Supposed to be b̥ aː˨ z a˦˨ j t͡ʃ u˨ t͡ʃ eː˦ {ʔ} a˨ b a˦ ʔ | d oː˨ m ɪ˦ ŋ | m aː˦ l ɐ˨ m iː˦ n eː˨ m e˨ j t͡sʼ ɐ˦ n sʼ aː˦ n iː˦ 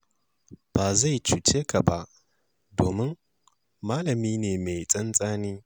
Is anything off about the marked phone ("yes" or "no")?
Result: yes